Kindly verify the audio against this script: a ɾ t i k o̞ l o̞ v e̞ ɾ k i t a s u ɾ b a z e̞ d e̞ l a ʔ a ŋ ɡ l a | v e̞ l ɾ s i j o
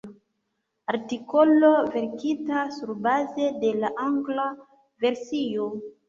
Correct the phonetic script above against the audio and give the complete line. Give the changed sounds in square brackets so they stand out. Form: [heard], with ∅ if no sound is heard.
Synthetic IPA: a ɾ t i k o̞ l o̞ v e̞ ɾ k i t a s u ɾ b a z e̞ d e̞ l a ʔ a ŋ ɡ l a | v e̞ [∅] ɾ s i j o